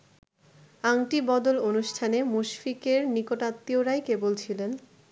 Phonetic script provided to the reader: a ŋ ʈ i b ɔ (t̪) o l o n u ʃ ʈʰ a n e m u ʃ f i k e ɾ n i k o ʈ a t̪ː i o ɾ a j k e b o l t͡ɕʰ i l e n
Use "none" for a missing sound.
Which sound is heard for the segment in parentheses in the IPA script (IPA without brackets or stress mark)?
d̪